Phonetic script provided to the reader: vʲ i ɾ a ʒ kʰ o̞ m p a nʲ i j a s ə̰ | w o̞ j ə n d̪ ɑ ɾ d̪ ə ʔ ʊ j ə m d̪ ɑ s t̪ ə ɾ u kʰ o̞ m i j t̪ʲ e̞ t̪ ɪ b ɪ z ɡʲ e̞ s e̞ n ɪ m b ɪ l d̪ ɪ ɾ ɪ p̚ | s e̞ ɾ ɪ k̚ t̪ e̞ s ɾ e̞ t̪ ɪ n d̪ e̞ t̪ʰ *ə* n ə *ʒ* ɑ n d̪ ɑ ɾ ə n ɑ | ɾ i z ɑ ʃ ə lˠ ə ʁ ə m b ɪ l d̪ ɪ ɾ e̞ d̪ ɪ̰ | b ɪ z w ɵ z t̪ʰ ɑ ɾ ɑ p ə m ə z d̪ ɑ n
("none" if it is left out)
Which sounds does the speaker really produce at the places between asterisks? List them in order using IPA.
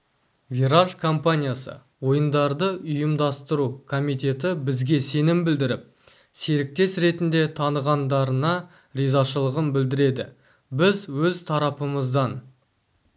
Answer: ɑ, ʁ

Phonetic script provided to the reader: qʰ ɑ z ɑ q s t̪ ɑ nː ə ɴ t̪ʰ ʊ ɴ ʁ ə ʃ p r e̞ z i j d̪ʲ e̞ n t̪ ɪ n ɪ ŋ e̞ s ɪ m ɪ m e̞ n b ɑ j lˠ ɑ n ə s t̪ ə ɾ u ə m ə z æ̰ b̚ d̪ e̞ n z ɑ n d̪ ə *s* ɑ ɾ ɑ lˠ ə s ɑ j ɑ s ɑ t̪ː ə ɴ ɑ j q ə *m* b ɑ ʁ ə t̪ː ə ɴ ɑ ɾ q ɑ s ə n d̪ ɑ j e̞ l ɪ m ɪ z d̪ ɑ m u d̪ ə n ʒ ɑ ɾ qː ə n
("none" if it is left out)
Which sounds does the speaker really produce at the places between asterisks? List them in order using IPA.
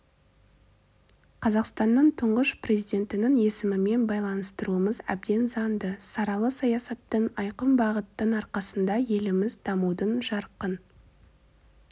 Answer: s, m

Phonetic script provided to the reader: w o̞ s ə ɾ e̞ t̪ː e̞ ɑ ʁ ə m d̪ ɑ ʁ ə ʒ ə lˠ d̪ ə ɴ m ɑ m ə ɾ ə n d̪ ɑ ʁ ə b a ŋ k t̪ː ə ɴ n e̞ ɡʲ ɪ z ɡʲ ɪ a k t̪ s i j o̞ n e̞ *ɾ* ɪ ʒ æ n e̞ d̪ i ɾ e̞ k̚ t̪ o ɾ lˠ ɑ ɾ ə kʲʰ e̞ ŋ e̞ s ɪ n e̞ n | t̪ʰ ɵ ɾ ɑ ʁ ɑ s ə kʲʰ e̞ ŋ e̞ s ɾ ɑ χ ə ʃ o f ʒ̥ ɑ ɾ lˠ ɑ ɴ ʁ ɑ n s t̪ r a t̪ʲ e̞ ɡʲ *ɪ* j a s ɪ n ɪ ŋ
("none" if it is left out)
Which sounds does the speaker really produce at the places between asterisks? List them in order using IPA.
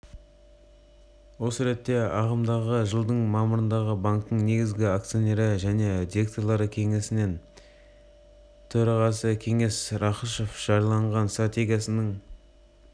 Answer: ɾ, i

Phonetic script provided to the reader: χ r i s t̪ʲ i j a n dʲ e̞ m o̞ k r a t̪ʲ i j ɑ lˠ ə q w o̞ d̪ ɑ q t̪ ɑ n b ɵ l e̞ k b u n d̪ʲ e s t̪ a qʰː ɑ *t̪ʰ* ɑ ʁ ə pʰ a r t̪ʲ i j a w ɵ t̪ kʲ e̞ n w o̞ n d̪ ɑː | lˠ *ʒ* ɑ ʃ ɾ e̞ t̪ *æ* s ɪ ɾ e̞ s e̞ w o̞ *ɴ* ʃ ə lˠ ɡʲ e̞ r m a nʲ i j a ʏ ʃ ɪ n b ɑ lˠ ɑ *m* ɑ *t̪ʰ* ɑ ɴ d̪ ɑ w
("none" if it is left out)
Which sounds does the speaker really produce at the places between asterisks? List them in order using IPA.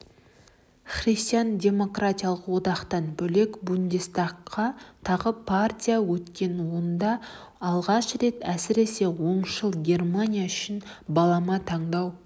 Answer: t̪ʰ, ʁ, æ, ɴ, m, t̪ʰ

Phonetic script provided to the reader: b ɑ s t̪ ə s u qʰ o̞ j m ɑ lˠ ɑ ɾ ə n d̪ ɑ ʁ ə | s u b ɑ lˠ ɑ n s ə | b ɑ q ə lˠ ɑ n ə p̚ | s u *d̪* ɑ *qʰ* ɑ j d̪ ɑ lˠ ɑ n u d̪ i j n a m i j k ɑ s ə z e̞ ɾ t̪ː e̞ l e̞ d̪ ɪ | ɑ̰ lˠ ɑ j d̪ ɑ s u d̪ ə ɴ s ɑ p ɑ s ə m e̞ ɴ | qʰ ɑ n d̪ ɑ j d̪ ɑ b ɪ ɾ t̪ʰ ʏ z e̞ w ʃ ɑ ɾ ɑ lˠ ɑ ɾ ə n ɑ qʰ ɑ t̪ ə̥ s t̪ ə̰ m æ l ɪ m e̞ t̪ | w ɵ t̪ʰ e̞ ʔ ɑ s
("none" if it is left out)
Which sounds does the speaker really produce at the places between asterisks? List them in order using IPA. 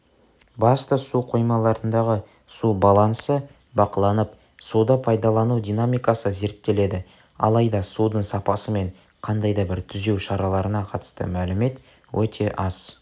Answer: d̪, pʰ

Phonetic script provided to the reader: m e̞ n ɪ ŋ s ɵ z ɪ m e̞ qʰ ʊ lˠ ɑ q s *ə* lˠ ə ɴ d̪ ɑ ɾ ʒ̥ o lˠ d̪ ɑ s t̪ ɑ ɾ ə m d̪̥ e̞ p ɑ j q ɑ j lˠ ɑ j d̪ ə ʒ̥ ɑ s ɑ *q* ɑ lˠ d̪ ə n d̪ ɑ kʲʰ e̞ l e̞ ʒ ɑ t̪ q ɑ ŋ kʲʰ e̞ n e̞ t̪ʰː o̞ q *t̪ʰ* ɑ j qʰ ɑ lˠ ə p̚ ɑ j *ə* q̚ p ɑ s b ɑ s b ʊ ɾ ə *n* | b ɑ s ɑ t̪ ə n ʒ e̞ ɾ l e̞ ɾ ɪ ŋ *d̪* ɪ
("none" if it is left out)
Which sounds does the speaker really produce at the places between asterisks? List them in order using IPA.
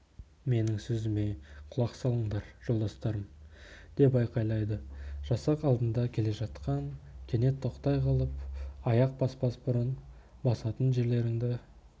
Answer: ɑ, q, t̪, ɑ, n, d̪

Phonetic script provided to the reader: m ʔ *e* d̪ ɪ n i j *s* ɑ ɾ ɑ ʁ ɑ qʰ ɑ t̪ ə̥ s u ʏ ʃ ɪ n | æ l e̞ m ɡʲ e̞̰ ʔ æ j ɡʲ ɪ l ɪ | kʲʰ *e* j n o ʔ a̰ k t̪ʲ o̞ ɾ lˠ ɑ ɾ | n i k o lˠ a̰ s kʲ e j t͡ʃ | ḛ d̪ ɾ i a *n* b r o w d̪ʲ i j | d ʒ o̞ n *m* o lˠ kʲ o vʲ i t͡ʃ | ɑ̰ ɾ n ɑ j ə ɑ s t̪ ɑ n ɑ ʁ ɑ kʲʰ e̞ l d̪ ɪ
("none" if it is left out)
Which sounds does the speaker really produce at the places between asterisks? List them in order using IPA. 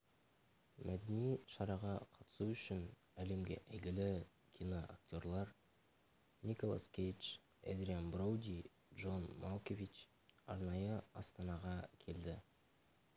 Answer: æ, ʃ, i, n, m

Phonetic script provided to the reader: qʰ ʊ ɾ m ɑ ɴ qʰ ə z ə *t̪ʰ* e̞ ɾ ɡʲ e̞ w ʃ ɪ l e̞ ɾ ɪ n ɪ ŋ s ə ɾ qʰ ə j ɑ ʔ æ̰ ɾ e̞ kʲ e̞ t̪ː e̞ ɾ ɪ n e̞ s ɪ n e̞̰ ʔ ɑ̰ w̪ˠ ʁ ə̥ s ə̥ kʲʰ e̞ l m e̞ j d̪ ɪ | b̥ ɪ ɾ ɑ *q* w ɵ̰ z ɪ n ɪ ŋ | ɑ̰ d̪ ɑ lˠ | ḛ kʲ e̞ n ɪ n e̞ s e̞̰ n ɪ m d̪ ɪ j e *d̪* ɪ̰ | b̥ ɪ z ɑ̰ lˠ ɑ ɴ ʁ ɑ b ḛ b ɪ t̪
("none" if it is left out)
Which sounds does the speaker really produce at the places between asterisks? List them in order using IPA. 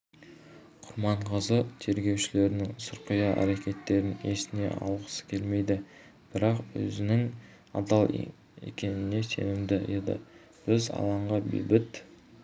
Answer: t̪ʰ, q, d̪

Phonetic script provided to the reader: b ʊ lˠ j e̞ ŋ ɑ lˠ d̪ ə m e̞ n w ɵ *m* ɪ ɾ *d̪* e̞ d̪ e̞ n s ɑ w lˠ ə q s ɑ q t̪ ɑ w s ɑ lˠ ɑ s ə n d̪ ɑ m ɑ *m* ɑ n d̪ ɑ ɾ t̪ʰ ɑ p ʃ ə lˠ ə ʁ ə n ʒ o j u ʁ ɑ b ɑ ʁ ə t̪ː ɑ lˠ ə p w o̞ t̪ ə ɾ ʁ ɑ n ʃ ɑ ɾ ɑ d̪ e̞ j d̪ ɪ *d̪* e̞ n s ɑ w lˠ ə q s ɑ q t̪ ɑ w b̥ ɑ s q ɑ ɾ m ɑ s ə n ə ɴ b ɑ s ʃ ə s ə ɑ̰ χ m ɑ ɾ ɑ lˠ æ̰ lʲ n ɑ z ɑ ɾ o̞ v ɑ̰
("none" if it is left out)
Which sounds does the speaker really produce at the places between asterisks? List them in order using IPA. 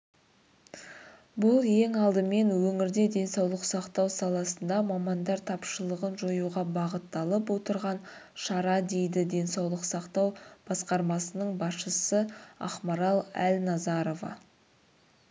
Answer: ŋ, d̪, m, d̪

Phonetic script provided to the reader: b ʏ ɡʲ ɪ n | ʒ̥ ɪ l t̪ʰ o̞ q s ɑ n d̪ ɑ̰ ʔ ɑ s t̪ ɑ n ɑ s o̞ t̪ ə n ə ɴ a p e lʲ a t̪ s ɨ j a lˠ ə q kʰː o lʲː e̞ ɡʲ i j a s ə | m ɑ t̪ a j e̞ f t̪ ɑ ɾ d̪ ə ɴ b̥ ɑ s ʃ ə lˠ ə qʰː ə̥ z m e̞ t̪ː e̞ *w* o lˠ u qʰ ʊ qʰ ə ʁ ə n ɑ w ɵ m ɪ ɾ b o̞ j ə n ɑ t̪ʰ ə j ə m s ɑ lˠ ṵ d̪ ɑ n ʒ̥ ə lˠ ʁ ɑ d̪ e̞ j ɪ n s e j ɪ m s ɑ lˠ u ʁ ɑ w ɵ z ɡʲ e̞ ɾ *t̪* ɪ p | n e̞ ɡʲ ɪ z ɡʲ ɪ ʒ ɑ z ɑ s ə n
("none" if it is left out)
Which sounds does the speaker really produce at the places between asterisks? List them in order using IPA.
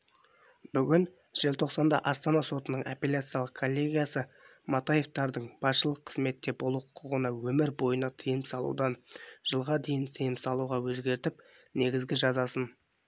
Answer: b, t̪

